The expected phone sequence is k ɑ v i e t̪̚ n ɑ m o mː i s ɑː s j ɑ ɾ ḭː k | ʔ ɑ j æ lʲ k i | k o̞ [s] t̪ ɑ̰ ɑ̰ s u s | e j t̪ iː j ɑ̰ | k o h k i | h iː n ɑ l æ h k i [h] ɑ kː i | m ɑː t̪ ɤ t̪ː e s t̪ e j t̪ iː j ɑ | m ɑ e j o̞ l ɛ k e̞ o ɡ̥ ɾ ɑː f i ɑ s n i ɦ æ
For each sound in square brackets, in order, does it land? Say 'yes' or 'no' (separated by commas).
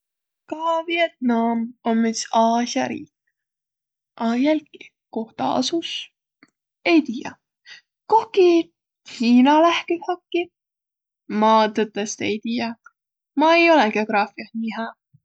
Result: no, yes